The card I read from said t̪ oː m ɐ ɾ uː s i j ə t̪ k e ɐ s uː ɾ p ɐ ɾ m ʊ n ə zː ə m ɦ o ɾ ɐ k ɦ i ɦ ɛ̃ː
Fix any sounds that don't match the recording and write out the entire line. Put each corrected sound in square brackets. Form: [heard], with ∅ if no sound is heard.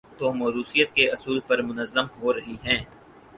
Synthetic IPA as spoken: t̪ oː m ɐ ɾ uː s i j ə t̪ k e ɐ s uː [l] p ɐ ɾ m ʊ n ə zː ə m ɦ o ɾ ɐ [∅] ɦ i ɦ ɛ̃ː

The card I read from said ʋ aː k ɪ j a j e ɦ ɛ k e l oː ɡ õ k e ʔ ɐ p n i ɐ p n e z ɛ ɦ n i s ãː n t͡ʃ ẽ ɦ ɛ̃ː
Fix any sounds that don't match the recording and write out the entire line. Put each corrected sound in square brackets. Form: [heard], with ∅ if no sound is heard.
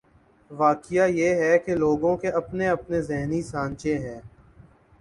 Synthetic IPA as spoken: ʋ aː k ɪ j a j e ɦ ɛ k e l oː ɡ õ k e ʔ ɐ p n [e] ɐ p n e z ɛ ɦ n i s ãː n t͡ʃ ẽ ɦ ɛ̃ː

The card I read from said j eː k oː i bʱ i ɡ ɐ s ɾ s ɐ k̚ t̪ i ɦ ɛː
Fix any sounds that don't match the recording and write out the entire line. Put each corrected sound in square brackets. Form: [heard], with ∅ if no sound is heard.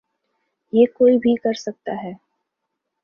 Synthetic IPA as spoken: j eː k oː i bʱ i [k] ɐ [∅] ɾ s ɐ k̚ t̪ [a] ɦ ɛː

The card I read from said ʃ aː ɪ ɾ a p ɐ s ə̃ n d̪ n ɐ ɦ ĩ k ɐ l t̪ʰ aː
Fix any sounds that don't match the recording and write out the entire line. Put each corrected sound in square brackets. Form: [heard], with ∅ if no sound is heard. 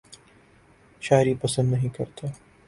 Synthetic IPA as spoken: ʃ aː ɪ ɾ [i] p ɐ s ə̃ n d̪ n ɐ ɦ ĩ k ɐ [ɾ] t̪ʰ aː

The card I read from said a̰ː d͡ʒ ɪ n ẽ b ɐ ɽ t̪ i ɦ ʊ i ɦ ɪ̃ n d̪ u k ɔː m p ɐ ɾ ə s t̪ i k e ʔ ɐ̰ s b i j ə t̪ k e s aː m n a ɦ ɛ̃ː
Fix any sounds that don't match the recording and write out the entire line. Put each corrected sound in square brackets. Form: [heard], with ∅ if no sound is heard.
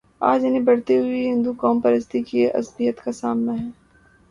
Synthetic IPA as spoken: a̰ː d͡ʒ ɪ n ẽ b ɐ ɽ t̪ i ɦ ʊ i ɦ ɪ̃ n d̪ u k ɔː m p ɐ ɾ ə s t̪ i k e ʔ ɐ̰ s b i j ə t̪ k [a] s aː m n a ɦ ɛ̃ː

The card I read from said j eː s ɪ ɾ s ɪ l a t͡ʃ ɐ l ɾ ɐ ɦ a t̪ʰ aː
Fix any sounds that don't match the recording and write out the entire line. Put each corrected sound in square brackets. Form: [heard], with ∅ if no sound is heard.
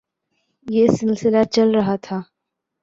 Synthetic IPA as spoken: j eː s ɪ [l] s ɪ l a t͡ʃ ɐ l ɾ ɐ ɦ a t̪ʰ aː

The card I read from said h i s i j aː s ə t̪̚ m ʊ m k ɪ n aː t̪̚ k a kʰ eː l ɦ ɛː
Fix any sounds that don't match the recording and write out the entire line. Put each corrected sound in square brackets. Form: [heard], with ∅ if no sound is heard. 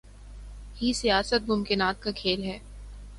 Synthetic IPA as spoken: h i s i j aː s ə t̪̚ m ʊ m k ɪ n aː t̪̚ k a kʰ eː l ɦ ɛː

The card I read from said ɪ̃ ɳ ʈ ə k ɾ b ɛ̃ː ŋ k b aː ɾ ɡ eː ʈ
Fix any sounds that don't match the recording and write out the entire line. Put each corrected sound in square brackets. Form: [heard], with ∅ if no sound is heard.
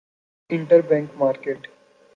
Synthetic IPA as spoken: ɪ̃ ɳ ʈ ə [∅] ɾ b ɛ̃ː ŋ k [m] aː ɾ [k] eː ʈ

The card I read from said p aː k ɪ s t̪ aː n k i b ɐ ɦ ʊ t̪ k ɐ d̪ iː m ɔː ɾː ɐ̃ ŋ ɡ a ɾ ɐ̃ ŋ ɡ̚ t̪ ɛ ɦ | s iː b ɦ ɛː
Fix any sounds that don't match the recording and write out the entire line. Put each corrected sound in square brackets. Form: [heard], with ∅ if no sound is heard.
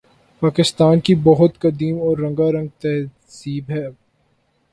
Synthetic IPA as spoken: p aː k ɪ s t̪ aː n k i b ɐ ɦ ʊ t̪ k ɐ d̪ iː m ɔː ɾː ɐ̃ ŋ ɡ a ɾ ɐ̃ ŋ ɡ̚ t̪ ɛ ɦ | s iː b ɦ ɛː

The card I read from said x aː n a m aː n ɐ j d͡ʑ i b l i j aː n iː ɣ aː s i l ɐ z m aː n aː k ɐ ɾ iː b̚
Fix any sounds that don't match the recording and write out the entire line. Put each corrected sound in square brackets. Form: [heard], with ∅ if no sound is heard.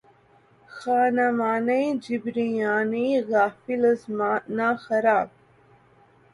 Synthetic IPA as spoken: x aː n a m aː n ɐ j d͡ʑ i b [ɾ] i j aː n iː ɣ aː [f] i l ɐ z m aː n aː [x] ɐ ɾ [aː] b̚

